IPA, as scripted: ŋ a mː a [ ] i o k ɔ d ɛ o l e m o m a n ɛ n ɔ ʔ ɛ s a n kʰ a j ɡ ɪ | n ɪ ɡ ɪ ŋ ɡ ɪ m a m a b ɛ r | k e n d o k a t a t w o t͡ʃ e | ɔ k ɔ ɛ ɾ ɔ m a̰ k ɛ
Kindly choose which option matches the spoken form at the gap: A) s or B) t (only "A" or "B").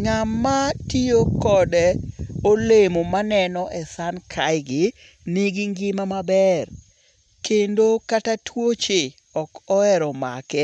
B